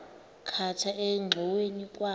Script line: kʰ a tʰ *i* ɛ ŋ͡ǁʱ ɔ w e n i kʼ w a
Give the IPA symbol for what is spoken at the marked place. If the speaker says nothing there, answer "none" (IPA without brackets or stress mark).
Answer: a